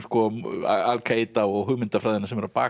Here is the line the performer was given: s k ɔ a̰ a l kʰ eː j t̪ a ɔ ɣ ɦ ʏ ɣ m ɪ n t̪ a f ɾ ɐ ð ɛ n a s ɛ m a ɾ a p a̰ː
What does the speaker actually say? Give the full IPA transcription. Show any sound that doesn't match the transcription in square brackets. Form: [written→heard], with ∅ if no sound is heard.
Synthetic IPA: s k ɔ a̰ a l kʰ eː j t̪ a ɔ ɣ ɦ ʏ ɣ m ɪ n t̪ a f ɾ [ɐ→a] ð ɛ n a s ɛ m [a→ɛ] ɾ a p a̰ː